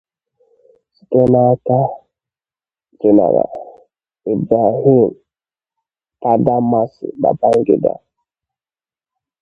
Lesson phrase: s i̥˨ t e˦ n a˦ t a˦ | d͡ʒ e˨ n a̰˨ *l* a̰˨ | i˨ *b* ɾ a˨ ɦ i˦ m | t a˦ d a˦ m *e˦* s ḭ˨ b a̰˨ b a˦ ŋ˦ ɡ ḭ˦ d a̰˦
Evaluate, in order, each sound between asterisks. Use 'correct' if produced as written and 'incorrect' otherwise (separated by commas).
incorrect, correct, incorrect